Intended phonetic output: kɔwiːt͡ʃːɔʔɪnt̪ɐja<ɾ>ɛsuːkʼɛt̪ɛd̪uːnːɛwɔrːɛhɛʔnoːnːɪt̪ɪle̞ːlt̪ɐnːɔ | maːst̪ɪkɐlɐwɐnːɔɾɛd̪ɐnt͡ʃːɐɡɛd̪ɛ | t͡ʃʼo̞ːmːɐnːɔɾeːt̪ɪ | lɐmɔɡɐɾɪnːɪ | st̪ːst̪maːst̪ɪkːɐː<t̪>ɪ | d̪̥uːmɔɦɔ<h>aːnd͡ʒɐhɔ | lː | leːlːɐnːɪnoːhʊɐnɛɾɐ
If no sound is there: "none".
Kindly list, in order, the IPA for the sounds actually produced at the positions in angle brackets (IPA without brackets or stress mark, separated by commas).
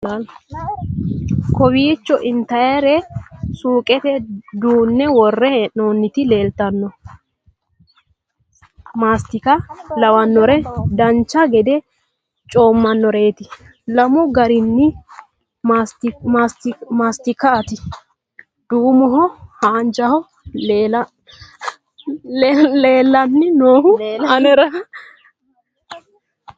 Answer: ɾ, t̪, h